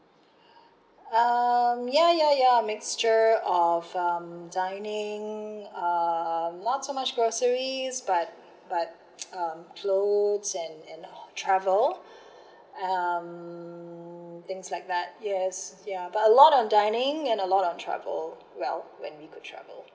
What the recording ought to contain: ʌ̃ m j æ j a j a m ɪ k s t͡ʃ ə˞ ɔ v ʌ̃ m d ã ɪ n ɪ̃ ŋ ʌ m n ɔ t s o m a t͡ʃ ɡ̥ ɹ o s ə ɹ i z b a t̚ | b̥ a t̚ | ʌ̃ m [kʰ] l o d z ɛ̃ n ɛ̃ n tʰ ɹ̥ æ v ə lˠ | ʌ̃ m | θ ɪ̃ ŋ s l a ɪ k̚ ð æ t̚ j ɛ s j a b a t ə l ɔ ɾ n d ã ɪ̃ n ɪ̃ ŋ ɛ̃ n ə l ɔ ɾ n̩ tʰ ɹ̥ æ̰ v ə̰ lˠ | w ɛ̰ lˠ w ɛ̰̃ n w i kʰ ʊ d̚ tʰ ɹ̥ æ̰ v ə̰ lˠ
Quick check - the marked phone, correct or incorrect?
correct